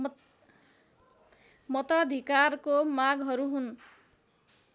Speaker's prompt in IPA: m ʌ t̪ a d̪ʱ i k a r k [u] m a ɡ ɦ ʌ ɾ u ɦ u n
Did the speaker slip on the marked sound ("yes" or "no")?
yes